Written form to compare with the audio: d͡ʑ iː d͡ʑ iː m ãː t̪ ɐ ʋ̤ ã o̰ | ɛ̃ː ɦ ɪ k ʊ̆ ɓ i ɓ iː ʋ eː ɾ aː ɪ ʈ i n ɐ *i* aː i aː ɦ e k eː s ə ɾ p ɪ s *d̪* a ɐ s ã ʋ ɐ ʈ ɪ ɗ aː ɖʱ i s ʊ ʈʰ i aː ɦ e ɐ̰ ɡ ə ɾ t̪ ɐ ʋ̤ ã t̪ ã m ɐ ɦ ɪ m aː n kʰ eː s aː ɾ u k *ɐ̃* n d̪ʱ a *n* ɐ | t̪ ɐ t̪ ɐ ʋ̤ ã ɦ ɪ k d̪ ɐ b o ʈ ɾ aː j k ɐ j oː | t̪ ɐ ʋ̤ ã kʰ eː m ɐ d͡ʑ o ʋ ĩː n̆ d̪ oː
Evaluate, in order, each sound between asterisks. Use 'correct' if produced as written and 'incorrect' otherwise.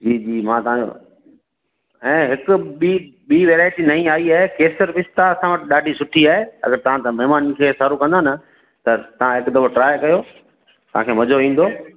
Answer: incorrect, incorrect, correct, correct

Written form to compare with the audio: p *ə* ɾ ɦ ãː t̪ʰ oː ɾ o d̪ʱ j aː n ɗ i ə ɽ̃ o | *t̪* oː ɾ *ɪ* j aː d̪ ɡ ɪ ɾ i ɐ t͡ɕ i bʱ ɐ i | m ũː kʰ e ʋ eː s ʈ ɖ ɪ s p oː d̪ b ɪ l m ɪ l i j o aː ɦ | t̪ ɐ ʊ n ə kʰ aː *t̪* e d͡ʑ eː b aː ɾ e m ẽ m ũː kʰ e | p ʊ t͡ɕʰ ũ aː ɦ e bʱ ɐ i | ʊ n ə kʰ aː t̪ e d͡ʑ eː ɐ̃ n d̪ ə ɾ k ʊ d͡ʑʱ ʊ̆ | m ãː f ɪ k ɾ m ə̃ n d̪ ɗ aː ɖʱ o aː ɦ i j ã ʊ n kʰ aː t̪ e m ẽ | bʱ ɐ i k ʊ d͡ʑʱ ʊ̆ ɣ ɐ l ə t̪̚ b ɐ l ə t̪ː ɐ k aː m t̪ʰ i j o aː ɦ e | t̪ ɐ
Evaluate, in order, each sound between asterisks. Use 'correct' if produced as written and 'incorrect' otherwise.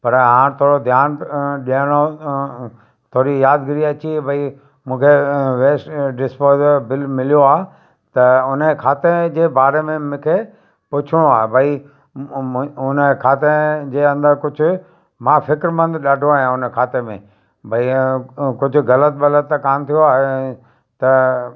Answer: incorrect, incorrect, incorrect, correct

